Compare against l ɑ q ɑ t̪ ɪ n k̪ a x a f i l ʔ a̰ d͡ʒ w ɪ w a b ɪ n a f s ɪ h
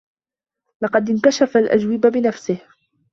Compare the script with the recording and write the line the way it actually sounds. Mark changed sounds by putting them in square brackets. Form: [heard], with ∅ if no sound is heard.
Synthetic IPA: l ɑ q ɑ [d̪] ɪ n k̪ a [ʃ] a f [a] l ʔ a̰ d͡ʒ w ɪ [b] a b ɪ n a f s ɪ h

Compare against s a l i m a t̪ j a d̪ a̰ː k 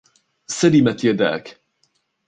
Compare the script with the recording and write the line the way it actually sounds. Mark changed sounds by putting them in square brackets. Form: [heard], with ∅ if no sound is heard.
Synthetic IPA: s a l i m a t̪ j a d̪ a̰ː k

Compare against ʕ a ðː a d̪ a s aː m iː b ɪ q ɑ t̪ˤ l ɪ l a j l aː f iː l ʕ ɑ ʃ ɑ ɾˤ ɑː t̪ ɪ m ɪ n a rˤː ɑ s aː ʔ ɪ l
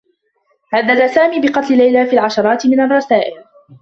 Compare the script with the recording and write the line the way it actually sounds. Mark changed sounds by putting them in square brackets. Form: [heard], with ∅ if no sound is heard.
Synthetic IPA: ʕ a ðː a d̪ a s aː m iː b ɪ q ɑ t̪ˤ l ɪ l a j l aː f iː l ʕ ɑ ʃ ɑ ɾˤ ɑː t̪ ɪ m ɪ n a rˤː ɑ s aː ʔ ɪ l

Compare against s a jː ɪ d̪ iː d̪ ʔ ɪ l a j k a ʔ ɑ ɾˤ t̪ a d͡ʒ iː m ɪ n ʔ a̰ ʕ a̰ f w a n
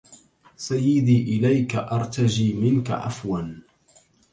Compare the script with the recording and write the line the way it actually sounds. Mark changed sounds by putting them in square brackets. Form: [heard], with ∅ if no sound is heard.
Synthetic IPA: s a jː ɪ d̪ iː [∅] ʔ ɪ l a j k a ʔ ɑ ɾˤ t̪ a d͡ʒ iː m ɪ n [k] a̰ ʕ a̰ f w a n

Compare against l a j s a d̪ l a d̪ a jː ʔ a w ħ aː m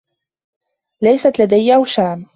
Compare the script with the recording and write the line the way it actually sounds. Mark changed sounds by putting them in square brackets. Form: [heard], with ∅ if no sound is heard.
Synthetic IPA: l a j s a [t̪] l a d̪ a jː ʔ a w [ʃ] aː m

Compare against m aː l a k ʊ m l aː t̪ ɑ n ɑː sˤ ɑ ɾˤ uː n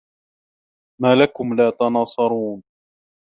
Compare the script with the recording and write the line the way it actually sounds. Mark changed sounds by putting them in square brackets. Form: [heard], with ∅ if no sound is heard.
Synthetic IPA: m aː l a k ʊ m l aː t̪ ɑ n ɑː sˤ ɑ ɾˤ uː n

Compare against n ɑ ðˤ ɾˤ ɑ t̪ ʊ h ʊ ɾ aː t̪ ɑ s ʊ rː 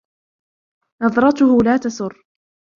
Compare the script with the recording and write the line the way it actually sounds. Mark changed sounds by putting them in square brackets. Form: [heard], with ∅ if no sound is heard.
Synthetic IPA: n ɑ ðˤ ɾˤ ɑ t̪ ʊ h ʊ [l] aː t̪ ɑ s ʊ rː

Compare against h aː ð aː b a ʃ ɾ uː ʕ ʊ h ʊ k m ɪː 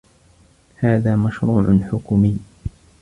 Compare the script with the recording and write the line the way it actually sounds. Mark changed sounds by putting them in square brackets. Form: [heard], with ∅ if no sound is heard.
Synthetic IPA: h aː ð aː [m] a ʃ ɾ uː ʕ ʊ [ħ] ʊ k m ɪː

